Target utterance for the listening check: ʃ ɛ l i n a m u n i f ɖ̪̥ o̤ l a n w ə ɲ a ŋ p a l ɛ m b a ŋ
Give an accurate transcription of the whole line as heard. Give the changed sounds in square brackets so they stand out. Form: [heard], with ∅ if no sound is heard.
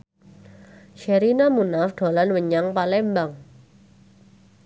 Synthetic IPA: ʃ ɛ [ɾ] i n a m u n [a] f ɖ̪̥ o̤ l a n w ə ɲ a ŋ p a l ɛ m b a ŋ